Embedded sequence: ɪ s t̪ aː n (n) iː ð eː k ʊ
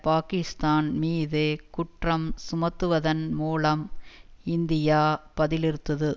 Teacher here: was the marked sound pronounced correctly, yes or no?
no